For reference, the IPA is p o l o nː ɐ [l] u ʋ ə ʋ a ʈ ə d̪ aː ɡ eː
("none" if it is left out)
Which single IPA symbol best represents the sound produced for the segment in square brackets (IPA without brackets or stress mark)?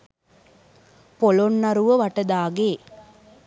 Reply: ɾ